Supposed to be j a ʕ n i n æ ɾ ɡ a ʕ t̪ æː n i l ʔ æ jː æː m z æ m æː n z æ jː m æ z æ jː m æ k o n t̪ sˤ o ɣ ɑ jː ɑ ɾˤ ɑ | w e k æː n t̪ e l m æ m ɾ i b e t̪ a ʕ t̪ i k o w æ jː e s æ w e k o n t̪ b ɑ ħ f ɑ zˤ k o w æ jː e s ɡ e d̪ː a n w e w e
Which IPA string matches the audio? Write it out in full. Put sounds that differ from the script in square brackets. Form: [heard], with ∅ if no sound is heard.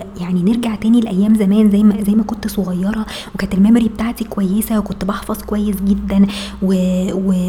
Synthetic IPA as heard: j a ʕ n i n [e] ɾ ɡ a ʕ t̪ æː n i l ʔ æ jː æː m z æ m æː n z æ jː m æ z æ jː m æ k o n t̪ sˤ o ɣ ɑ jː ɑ ɾˤ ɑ | w e k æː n t̪ e l m æ m ɾ i b e t̪ a ʕ t̪ i k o w æ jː e s æ w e k o n t̪ b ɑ ħ f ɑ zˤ k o w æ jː e s ɡ e d̪ː [æ] n w e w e